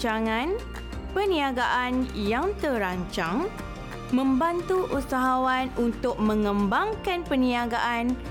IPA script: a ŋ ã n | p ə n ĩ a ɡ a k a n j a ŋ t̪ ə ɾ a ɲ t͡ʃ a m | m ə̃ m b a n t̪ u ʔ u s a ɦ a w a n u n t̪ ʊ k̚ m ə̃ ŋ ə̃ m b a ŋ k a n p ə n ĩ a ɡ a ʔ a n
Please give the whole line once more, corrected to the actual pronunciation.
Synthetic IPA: a ŋ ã n | p ə n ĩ a ɡ a ʔ a n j a ŋ t̪ ə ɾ a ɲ t͡ʃ a ŋ | m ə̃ m b a n t̪ u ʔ u s a ɦ a w a n u n t̪ ʊ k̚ m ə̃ ŋ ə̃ m b a ŋ k a n p ə n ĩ a ɡ a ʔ a n